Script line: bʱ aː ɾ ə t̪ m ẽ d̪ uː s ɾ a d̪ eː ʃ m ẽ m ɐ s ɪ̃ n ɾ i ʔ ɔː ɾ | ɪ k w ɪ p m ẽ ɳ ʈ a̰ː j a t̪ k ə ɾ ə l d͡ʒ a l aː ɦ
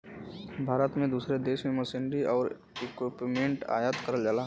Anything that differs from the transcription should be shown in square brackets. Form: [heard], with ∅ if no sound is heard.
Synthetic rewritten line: bʱ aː ɾ ə t̪ m ẽ d̪ uː s ɾ [e] d̪ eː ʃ m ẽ m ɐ s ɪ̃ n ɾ i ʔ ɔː ɾ | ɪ k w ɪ p m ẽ ɳ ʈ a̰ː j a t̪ k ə ɾ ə l d͡ʒ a l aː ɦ